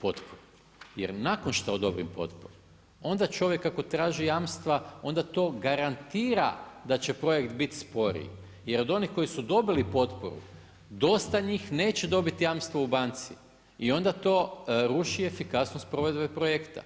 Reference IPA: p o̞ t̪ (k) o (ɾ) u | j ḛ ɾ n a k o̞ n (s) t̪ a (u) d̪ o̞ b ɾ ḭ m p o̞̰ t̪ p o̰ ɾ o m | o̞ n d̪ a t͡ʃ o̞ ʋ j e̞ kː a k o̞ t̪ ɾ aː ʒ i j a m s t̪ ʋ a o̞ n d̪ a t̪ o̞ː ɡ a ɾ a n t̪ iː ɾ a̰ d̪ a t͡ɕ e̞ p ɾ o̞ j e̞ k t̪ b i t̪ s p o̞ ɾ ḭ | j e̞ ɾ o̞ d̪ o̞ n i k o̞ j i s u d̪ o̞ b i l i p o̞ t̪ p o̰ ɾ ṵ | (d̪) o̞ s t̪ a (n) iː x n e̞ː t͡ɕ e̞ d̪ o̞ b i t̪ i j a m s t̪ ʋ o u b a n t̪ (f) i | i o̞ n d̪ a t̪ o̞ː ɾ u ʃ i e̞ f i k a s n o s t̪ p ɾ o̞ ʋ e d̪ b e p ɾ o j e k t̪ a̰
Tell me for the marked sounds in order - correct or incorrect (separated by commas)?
incorrect, correct, incorrect, incorrect, correct, incorrect, incorrect